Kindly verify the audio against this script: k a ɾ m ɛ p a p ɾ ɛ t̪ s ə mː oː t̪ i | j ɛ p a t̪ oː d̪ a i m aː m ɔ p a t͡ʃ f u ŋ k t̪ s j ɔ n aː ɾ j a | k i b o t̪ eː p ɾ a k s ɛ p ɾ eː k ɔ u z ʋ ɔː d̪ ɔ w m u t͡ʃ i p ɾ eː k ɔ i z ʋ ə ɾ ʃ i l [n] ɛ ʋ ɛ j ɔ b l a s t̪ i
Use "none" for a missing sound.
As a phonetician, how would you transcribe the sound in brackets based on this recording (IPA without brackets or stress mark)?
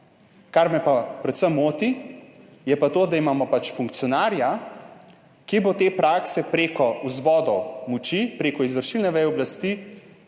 n